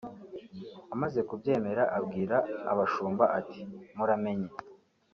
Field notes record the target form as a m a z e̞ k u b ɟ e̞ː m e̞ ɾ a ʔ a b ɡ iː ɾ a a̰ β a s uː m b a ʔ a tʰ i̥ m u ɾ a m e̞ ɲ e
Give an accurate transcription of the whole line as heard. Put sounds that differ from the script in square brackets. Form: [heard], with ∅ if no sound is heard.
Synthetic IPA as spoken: a m a z e̞ k u b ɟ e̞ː m e̞ ɾ a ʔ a b ɡ iː ɾ a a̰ β a [ʃ] uː m b a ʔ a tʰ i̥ m u ɾ a m e̞ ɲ e